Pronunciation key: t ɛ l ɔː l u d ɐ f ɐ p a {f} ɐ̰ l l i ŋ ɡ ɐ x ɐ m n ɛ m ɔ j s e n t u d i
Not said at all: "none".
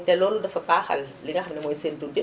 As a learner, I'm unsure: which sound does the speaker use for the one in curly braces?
x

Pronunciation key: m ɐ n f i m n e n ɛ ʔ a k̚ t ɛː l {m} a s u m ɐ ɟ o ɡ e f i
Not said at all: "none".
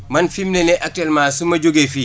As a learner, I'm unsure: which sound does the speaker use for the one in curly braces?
m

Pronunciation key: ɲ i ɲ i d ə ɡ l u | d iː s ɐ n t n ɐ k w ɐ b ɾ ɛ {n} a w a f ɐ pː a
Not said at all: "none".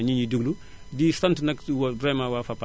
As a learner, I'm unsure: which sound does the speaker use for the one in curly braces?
m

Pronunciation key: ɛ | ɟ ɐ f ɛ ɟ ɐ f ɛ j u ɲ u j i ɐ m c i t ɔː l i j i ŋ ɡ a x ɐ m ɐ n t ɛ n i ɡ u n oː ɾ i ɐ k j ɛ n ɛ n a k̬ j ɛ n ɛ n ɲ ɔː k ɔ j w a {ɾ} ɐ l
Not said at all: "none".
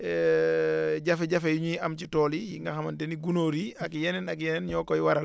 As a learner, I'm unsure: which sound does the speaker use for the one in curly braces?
ɾ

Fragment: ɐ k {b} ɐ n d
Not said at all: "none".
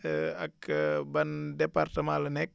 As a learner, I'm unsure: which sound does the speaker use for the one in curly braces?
b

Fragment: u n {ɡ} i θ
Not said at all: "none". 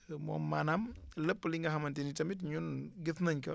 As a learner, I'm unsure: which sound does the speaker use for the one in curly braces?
ɡ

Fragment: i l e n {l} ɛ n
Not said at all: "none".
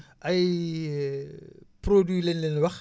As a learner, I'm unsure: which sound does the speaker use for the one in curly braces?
l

